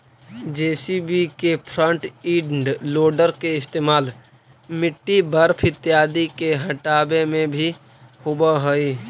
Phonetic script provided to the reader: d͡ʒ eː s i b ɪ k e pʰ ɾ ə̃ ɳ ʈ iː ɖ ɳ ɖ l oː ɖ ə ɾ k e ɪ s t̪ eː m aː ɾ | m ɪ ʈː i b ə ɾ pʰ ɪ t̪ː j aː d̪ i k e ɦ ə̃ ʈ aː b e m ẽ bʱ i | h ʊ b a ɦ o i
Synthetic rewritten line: d͡ʒ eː s i b i k e pʰ ɾ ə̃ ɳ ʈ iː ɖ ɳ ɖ l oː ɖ ə ɾ k e ɪ s t̪ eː m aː l | m ɪ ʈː i b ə ɾ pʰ ɪ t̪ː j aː d̪ i k e ɦ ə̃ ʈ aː b e m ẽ bʱ i | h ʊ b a ɦ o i